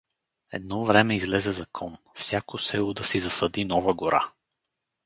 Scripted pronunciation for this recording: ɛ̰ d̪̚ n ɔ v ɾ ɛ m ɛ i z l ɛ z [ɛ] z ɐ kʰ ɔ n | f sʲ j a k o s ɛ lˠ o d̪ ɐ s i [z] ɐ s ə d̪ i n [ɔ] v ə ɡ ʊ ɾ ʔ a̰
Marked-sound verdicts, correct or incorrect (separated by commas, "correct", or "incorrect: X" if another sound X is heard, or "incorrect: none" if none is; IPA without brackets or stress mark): correct, correct, correct